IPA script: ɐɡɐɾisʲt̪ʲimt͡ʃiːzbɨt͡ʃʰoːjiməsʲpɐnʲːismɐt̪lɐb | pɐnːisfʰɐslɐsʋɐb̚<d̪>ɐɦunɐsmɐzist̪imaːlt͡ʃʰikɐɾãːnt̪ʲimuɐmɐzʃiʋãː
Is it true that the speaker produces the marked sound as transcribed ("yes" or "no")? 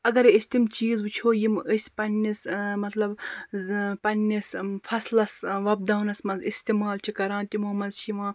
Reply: yes